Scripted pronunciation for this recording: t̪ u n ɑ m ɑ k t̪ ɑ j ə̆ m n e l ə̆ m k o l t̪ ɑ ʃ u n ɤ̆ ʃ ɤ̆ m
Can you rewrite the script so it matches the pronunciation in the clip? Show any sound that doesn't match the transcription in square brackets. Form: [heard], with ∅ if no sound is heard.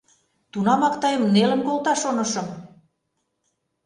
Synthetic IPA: t̪ u n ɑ m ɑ k t̪ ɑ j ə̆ m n e l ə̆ m k o l t̪ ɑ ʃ [o] n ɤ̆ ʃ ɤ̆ m